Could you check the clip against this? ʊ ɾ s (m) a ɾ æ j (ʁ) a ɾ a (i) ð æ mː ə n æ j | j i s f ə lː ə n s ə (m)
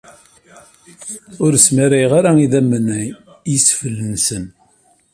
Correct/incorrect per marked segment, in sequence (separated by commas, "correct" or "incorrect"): correct, correct, correct, incorrect